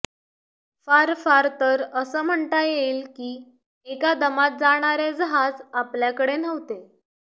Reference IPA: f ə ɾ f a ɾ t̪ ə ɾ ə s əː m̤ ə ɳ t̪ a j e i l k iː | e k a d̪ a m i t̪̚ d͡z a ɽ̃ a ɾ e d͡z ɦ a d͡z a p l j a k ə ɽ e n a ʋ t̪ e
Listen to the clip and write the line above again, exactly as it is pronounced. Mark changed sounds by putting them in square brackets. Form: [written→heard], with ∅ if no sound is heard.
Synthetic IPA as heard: f [ə→a] ɾ f a ɾ t̪ ə ɾ ə s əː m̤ ə ɳ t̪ a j e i l k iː | e k a d̪ [a→ə] m [i→a] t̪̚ d͡z a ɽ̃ a ɾ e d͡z ɦ a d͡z a p l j a k ə ɽ e n [a→ə] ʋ t̪ e